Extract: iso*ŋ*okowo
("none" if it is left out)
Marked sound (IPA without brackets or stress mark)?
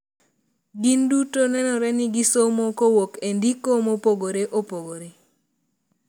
m